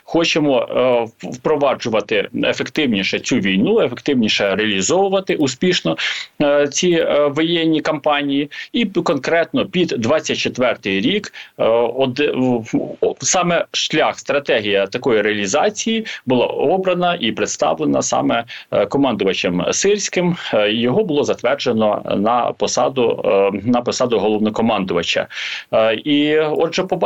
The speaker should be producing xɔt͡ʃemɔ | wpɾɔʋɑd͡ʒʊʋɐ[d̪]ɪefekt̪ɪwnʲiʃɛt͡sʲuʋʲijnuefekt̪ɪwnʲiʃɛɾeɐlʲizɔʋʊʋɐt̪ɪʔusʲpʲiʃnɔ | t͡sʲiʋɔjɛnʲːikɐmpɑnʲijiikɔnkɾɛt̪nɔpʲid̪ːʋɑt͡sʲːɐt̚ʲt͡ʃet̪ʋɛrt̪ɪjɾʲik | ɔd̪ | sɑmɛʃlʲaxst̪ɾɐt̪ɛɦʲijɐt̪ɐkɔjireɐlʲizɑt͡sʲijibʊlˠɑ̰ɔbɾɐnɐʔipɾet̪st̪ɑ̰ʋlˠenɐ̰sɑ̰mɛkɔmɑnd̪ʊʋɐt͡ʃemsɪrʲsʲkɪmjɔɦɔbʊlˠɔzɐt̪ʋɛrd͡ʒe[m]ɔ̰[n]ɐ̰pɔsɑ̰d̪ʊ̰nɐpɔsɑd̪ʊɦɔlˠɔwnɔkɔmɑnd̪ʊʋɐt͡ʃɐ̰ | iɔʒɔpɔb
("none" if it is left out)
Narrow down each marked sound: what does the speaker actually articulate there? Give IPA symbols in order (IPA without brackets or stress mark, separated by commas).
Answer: t̪, n, n